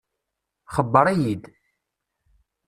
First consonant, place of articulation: uvular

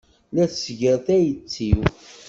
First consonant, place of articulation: alveolar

